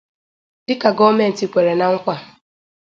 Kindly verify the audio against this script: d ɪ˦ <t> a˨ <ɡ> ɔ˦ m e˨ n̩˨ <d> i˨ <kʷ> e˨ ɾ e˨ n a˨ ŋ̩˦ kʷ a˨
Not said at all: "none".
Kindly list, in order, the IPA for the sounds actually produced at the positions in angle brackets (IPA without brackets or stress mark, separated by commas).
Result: k, ɡ, t, kʷ